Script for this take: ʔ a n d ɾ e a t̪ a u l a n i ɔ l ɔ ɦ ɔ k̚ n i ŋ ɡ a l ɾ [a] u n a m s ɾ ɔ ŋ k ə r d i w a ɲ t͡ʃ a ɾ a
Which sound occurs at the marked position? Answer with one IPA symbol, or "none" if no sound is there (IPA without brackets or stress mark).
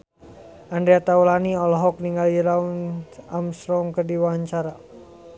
a